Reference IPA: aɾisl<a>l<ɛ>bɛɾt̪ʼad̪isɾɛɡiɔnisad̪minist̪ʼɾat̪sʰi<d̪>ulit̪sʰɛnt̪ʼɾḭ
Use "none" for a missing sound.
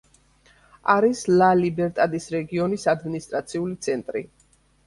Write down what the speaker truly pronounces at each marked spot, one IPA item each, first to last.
a, i, none

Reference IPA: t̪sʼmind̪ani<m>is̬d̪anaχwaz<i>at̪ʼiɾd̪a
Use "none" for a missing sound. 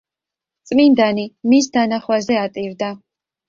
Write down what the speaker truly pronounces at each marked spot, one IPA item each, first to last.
m, ɛ

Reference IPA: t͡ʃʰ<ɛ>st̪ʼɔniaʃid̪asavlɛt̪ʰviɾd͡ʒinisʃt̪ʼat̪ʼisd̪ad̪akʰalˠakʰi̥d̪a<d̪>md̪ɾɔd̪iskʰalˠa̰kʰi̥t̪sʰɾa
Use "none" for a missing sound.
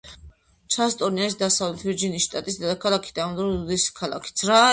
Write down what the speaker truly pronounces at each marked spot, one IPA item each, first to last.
a, none

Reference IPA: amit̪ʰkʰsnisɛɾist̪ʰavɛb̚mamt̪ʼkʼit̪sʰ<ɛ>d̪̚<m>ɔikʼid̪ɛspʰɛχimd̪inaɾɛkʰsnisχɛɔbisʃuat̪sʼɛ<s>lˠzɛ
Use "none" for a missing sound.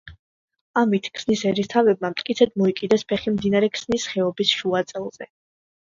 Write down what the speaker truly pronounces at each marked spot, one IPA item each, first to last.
ɛ, m, none

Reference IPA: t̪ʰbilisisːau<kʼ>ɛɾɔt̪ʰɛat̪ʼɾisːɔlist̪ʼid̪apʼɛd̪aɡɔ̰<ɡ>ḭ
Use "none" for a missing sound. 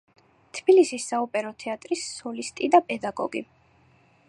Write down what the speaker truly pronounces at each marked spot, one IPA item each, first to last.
pʼ, ɡ

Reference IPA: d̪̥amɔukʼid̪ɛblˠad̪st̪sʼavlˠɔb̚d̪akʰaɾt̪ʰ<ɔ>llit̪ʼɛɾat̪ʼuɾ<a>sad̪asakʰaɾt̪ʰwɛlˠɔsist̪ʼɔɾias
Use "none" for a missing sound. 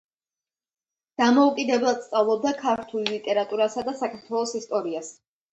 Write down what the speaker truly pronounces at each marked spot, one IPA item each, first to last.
u, a

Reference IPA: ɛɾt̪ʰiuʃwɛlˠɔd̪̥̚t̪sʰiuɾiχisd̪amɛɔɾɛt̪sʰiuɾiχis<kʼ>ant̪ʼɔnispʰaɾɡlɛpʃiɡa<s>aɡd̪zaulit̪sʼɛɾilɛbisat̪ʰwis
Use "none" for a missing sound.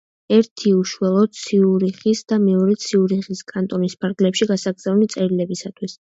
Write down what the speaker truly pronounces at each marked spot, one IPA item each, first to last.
kʼ, s

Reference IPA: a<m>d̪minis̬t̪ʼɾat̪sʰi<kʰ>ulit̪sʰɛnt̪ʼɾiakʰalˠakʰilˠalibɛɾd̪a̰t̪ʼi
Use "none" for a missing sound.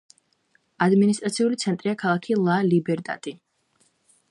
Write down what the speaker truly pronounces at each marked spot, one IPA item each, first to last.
none, none

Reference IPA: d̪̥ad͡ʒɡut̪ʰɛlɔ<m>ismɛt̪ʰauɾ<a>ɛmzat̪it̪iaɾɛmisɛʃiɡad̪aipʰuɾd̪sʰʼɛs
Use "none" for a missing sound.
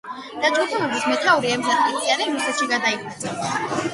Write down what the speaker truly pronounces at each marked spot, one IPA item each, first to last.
b, i

